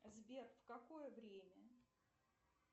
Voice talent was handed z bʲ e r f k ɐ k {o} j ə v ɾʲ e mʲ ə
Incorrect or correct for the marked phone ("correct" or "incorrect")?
correct